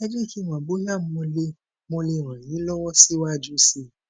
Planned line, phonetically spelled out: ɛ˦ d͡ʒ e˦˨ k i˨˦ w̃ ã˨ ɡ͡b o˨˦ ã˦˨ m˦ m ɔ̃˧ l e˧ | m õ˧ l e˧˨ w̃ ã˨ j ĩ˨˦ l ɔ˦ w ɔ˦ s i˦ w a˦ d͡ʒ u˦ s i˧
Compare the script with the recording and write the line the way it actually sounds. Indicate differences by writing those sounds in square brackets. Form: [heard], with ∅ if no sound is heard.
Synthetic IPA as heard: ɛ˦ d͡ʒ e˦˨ k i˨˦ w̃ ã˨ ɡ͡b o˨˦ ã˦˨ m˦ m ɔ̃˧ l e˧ | m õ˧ l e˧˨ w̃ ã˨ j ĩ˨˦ l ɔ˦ w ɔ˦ s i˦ w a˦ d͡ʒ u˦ s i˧